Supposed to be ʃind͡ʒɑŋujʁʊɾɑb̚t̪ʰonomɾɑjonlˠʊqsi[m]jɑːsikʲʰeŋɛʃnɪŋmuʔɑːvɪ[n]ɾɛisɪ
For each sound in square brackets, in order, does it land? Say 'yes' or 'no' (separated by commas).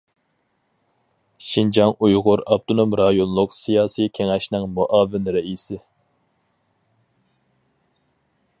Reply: no, yes